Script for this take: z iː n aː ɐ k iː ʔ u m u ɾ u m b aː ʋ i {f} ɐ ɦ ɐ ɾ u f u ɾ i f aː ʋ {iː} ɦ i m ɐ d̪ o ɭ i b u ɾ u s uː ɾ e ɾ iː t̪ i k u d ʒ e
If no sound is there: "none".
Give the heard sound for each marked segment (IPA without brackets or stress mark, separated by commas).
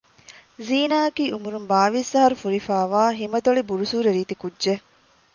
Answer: s, aː